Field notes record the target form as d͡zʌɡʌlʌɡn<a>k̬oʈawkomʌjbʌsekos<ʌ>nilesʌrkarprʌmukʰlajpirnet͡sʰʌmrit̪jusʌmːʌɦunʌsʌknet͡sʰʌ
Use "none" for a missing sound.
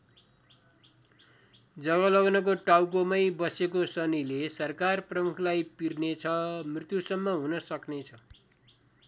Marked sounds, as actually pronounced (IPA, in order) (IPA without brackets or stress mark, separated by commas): ʌ, ʌ